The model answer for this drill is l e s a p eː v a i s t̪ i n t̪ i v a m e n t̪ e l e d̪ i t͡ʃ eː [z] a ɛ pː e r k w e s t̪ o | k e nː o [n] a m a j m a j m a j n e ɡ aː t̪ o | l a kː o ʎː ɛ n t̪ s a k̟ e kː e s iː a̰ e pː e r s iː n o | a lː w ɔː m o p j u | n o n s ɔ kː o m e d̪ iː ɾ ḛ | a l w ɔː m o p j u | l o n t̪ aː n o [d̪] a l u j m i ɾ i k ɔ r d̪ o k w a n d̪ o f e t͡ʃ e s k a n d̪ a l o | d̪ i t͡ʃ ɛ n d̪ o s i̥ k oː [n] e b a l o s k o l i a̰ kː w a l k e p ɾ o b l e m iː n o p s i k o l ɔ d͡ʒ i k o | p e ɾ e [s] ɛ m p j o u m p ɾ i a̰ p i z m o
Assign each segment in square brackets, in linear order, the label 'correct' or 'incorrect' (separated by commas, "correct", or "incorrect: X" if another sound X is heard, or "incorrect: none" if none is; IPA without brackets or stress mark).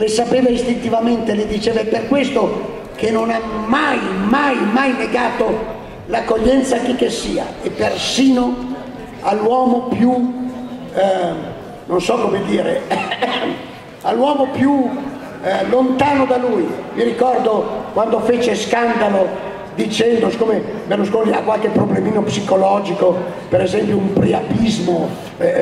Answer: incorrect: v, correct, correct, incorrect: m, incorrect: z